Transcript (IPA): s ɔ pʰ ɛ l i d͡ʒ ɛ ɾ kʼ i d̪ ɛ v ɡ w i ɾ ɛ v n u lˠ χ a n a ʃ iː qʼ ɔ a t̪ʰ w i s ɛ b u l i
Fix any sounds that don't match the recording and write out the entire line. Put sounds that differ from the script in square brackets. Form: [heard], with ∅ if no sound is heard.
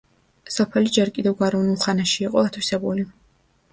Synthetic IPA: s ɔ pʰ ɛ l i d͡ʒ ɛ ɾ kʼ i d̪ ɛ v ɡ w [a] ɾ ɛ v n u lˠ χ a n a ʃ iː qʼ ɔ a t̪ʰ w i s ɛ b u l i